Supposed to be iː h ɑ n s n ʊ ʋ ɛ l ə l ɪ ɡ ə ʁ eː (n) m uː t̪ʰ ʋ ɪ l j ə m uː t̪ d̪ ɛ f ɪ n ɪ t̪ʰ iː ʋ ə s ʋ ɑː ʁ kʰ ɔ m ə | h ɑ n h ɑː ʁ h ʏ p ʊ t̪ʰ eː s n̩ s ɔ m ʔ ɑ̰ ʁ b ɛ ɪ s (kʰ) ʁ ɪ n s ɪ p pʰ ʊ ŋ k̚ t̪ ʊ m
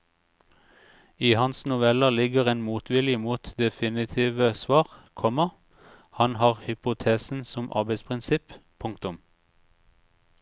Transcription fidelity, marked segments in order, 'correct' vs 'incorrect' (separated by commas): correct, incorrect